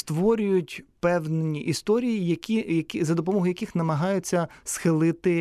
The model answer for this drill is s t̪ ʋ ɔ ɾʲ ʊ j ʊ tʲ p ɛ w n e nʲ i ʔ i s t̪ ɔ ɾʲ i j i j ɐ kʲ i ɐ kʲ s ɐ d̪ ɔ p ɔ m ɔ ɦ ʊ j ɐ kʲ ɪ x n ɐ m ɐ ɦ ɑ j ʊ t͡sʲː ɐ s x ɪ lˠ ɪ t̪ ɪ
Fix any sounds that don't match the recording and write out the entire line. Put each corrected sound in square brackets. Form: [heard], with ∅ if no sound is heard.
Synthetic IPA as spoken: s t̪ ʋ ɔ ɾʲ ʊ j ʊ tʲ p ɛ w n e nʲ i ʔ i s t̪ ɔ ɾʲ i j i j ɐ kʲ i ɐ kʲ [z] ɐ d̪ ɔ p ɔ m ɔ ɦ ʊ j ɐ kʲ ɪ x n ɐ m ɐ ɦ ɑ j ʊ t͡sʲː ɐ s x ɪ lˠ ɪ t̪ ɪ